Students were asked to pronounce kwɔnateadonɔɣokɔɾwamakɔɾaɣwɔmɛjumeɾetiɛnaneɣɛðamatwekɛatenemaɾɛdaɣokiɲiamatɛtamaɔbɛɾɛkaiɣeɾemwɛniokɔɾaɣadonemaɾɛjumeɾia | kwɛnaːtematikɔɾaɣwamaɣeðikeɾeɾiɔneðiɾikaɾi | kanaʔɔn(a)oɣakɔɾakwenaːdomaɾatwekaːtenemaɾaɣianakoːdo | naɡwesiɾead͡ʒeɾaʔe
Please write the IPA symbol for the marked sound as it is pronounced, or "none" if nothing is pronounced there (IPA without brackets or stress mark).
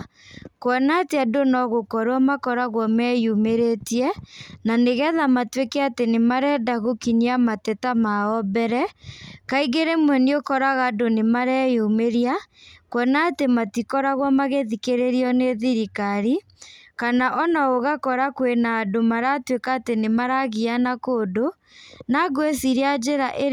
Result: a